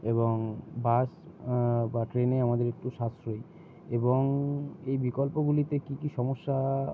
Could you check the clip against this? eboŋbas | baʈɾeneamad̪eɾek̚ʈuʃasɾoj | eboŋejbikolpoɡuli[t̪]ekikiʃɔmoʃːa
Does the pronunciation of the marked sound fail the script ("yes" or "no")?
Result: no